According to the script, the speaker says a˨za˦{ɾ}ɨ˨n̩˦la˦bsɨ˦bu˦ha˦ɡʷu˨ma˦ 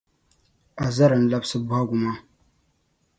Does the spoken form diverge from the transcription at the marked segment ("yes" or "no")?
no